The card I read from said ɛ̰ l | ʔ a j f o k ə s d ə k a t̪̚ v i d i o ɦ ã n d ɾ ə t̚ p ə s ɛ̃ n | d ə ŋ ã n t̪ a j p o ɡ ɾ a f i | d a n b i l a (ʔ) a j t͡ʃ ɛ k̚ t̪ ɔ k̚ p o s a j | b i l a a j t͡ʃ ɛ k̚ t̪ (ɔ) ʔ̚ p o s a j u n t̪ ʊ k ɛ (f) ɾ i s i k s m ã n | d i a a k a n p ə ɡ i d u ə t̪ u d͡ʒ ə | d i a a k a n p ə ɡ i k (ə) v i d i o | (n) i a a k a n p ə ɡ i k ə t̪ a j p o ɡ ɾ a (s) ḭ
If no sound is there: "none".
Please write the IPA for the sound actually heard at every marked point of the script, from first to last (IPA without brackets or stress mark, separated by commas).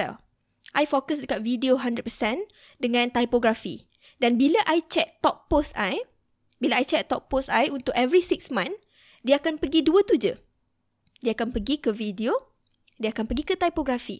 ʔ, ɔ, v, ə, d, f